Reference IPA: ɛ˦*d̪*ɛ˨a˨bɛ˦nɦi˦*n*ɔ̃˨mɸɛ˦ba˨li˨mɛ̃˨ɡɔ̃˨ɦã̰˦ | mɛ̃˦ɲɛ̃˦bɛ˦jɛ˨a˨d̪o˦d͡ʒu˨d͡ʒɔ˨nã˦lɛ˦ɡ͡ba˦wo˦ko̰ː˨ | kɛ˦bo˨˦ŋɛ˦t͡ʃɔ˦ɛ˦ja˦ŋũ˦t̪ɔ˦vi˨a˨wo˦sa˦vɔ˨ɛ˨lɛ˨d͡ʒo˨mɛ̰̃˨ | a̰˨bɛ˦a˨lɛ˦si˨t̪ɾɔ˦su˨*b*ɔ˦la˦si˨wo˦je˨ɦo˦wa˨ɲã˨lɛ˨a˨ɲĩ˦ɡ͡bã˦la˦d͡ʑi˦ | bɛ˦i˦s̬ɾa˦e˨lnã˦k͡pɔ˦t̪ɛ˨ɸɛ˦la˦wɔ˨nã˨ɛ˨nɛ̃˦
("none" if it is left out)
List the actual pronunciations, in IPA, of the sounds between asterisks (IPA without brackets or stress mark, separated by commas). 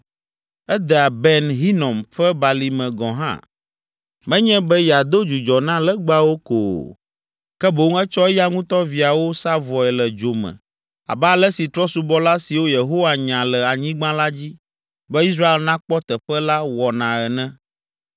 d̪, n, b